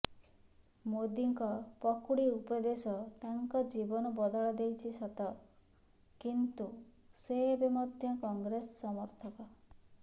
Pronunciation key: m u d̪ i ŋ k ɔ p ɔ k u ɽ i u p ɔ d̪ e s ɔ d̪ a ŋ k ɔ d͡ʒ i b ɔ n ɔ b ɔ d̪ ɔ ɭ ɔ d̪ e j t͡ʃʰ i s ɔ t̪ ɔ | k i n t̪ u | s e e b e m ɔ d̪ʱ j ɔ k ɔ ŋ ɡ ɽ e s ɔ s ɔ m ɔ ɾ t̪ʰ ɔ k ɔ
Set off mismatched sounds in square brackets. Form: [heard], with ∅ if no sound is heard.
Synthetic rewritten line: m [o] d̪ i ŋ k ɔ p ɔ k u ɽ i u p ɔ d̪ e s ɔ [t̪] a ŋ k ɔ d͡ʒ i b ɔ n ɔ b ɔ d̪ ɔ ɭ ɔ d̪ e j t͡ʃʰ i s ɔ t̪ ɔ | k i n t̪ u | s e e b e m ɔ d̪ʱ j ɔ k ɔ ŋ ɡ [ɾ] e s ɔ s ɔ m ɔ ɾ t̪ʰ ɔ k ɔ